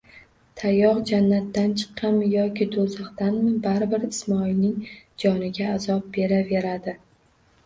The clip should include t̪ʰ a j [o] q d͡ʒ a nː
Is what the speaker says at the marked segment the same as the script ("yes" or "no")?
no